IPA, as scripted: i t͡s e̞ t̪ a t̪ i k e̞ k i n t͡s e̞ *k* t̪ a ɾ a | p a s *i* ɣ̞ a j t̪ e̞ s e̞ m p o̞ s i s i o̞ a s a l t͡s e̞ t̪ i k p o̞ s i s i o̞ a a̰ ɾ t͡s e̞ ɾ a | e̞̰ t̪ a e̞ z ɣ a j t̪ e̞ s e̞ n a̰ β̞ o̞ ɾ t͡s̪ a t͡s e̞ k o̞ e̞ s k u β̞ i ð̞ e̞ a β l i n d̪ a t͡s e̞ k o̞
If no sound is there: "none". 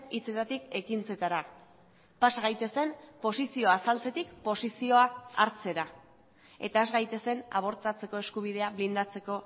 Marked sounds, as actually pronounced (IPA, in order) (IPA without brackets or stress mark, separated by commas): none, a